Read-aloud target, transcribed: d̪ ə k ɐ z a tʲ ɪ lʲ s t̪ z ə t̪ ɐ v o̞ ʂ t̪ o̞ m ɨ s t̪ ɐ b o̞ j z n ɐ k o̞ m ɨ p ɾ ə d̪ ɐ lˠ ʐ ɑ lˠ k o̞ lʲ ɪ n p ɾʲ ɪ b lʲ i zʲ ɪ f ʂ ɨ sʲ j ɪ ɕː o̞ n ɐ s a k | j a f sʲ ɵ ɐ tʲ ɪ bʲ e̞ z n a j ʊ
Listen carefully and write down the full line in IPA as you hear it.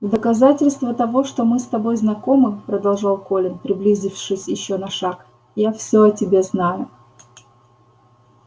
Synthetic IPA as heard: d̪ ə k ɐ z a tʲ ɪ lʲ s t̪ v ə t̪ ɐ v o̞ ʂ t̪ o̞ m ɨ s t̪ ɐ b o̞ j z n ɐ k o̞ m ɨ p ɾ ə d̪ ɐ lˠ ʐ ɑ lˠ k o̞ lʲ ɪ n p ɾʲ ɪ b lʲ i zʲ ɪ f ʂ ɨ sʲ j ɪ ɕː o̞ n ɐ ʂ a k | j a f sʲ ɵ ɐ tʲ ɪ bʲ e̞ z n a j ʊ

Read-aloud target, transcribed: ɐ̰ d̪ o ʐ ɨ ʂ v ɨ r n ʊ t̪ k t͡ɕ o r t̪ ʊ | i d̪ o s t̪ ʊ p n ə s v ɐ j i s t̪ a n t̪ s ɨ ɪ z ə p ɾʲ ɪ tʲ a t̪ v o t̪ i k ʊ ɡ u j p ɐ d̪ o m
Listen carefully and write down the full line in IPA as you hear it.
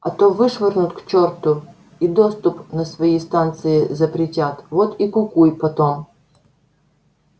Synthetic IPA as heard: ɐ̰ t̪ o v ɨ ʂ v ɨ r n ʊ t̪ k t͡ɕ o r t̪ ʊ | i d̪ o s t̪ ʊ p n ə s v ɐ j i s t̪ a n t̪ s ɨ ɪ z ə p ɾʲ ɪ tʲ a t̪ v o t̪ i k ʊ k u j p ɐ t̪ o m

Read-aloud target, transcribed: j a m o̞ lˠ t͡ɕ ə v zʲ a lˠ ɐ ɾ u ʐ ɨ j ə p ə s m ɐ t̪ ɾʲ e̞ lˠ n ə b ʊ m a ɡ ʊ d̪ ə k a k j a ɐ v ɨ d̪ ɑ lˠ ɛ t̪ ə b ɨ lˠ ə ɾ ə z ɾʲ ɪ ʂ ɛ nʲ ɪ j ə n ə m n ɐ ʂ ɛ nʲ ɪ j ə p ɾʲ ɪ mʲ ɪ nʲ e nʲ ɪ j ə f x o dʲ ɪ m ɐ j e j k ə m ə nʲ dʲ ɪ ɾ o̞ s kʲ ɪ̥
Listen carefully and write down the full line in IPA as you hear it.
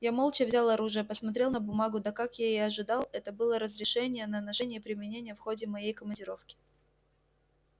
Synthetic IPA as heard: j a m o̞ lˠ t͡ɕ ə v zʲ a lˠ ɐ ɾ u ʐ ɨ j ə p ə s m ɐ t̪ ɾʲ e̞ lˠ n ə b ʊ m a ɡ ʊ d̪ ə k a k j a ɐ ʐ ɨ d̪ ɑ lˠ ɛ t̪ ə b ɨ lˠ ə ɾ ə z ɾʲ ɪ ʂ ɛ nʲ ɪ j ə n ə n ɐ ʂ ɛ nʲ ɪ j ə p ɾʲ ɪ mʲ ɪ nʲ e nʲ ɪ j ə f x o dʲ ɪ m ɐ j e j k ə m ə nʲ dʲ ɪ ɾ o̞ f kʲ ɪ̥

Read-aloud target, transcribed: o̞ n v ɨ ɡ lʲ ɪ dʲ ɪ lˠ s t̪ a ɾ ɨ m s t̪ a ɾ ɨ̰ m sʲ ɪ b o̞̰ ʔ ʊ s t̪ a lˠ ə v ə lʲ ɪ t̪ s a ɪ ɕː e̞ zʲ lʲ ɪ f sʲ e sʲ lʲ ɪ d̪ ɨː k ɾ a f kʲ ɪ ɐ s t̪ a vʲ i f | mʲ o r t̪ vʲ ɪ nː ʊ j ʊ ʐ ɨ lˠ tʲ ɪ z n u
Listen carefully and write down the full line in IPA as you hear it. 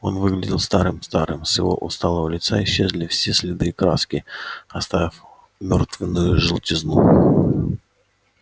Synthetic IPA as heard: o̞ n v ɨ ɡ lʲ ɪ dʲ ɪ lˠ s t̪ a ɾ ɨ m s t̪ a ɾ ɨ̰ m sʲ ɪ v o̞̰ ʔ ʊ s t̪ a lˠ ə v ə lʲ ɪ t̪ s a ɪ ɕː e̞ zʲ lʲ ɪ f sʲ e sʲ lʲ ɪ d̪ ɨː k ɾ a s kʲ ɪ ɐ s t̪ a vʲ ɪ f | mʲ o r t̪ vʲ ɪ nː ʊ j ʊ ʐ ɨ lˠ tʲ ɪ z n u

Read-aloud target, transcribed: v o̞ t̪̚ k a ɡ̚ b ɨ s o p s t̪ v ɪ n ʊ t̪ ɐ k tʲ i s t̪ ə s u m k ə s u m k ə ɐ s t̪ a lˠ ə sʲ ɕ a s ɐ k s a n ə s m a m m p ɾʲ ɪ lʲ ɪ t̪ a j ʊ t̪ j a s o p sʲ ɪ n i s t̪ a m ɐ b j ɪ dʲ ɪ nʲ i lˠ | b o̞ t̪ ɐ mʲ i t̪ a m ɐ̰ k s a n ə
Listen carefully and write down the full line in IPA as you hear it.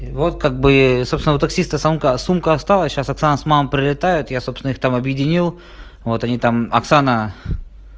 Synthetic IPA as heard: v o̞ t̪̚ k a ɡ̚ b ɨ s o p s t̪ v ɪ n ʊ t̪ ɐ k sʲ i s t̪ ə s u m k ə s u m k ə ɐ s t̪ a lˠ ə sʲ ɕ a s ɐ k s a n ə s m a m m p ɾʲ ɪ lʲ ɪ t̪ a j ʊ t̪ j a s o p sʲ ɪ n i x t̪ a m ɐ b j ɪ dʲ ɪ nʲ i lˠ | v o̞ t̪ ɐ nʲ i t̪ a m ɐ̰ k s a n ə

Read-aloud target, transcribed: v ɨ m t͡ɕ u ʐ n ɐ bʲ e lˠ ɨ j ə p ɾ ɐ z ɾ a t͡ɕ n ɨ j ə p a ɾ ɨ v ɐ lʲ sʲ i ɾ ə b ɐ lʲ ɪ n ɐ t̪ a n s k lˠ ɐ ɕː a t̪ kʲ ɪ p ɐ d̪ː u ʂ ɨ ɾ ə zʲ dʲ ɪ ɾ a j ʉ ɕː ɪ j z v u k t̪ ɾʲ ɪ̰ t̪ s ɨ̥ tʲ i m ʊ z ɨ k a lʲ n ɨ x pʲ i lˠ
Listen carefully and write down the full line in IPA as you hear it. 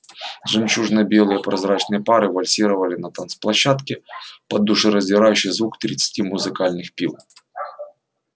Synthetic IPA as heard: ʐ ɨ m t͡ɕ u ʐ n ɐ bʲ e lˠ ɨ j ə p ɾ ɐ z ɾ a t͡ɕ n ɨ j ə p a ɾ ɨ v ɐ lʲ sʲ i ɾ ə v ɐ lʲ ɪ n ɐ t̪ a n s p lˠ ɐ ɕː a t̪ kʲ ɪ p ɐ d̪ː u ʂ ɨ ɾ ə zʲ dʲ ɪ ɾ a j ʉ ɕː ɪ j z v u k t̪ ɾʲ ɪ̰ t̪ s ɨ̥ tʲ i m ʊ z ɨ k a lʲ n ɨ x pʲ i lˠ

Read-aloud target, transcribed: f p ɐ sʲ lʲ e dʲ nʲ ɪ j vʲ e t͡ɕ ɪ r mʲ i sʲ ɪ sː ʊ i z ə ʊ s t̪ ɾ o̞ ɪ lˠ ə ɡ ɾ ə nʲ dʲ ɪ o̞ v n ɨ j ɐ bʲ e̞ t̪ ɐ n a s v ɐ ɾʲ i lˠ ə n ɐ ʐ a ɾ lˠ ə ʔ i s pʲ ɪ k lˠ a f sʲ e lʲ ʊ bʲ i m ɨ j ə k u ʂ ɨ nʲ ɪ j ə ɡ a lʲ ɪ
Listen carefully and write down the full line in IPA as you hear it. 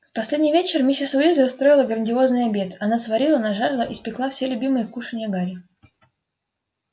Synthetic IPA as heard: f p ɐ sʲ lʲ e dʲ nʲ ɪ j vʲ e t͡ɕ ɪ r mʲ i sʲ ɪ s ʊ i z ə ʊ s t̪ ɾ o̞ ɪ lˠ ə ɡ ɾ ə nʲ dʲ ɪ o̞ z n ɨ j ɐ bʲ e̞ t̪ ɐ n a s v ɐ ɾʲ i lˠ ə n ɐ ʐ a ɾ lˠ ə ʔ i s pʲ ɪ k lˠ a f sʲ e lʲ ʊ bʲ i m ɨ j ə k u ʂ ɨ nʲ ɪ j ə ɡ a ɾʲ ɪ

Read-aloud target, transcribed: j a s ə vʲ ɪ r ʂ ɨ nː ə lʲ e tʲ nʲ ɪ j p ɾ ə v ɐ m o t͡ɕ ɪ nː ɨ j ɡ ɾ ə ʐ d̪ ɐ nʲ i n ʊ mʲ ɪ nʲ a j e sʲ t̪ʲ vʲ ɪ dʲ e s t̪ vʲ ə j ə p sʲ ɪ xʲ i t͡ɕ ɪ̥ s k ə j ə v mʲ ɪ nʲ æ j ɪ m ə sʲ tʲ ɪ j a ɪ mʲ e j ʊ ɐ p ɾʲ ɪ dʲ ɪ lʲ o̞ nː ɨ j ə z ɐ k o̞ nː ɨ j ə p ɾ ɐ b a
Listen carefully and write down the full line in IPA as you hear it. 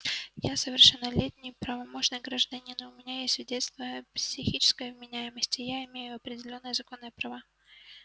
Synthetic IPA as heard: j a s ə vʲ ɪ r ʂ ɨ nː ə lʲ e tʲ nʲ ɪ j p ɾ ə v ɐ m o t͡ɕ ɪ n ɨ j ɡ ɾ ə ʐ d̪ ɐ nʲ i n ʊ mʲ ɪ nʲ a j e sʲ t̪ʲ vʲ ɪ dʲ e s t̪ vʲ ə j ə p sʲ ɪ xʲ i t͡ɕ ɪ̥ s k ə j ə v mʲ ɪ nʲ æ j ɪ m ə sʲ tʲ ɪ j a ɪ mʲ e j ʊ ɐ p ɾʲ ɪ dʲ ɪ lʲ o̞ nː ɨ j ə z ɐ k o̞ nː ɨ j ə p ɾ ɐ v a

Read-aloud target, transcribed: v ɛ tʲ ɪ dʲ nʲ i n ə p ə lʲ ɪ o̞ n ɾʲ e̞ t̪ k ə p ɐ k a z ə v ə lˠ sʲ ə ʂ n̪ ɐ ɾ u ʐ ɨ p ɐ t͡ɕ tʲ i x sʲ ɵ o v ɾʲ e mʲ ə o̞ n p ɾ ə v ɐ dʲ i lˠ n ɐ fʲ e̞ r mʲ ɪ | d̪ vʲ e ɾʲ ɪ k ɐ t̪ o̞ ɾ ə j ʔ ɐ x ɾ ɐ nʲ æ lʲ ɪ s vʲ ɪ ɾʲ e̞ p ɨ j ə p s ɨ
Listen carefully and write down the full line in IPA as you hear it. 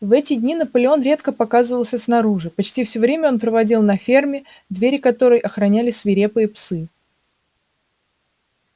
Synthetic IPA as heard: v ɛ tʲ ɪ dʲ nʲ i n ə p ə lʲ ɪ o̞ n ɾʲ e̞ t̪ k ə p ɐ k a z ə v ə lˠ sʲ ə s n̪ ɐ ɾ u ʐ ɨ p ɐ t͡ɕ tʲ i f sʲ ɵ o v ɾʲ e mʲ ə o̞ n p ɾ ə v ɐ dʲ i lˠ n ɐ fʲ e̞ r mʲ ɪ | d̪ vʲ e ɾʲ ɪ k ɐ t̪ o̞ ɾ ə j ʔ ɐ x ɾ ɐ nʲ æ lʲ ɪ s vʲ ɪ ɾʲ e̞ p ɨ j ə p s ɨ

